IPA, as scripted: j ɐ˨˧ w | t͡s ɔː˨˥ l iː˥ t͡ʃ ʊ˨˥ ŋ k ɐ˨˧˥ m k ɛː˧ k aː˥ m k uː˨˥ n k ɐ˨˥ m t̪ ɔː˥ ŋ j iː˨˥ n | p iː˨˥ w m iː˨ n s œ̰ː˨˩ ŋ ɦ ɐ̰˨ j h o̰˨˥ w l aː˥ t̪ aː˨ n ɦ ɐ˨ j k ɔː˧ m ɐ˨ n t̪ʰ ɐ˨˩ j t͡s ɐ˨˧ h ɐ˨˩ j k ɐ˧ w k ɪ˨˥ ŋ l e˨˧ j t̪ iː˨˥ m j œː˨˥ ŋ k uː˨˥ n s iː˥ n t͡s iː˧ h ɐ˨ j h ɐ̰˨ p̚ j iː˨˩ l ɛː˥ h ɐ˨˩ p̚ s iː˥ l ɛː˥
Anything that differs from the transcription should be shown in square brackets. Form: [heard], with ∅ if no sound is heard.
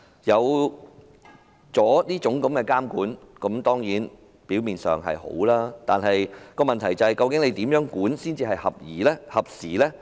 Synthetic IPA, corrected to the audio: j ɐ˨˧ w | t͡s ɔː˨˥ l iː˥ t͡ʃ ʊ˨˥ ŋ k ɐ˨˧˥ m k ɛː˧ k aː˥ m k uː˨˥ n k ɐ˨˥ m t̪ ɔː˥ ŋ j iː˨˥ n | p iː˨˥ w m iː˨ n s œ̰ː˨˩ ŋ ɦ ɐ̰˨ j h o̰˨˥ w l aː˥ t̪ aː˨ n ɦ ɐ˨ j k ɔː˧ m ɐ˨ n t̪ʰ ɐ˨˩ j t͡s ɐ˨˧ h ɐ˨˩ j k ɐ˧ w k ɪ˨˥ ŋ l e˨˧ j t̪ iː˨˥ m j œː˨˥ ŋ k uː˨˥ n s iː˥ n t͡s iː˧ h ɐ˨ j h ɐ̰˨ p̚ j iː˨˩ l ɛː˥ h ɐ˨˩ p̚ s [iː˨˩] l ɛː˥